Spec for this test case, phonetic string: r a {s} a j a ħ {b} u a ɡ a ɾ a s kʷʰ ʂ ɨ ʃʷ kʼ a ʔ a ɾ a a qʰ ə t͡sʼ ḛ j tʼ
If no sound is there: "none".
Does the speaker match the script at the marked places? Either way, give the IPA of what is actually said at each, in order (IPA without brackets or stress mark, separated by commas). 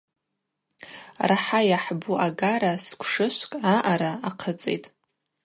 ħ, b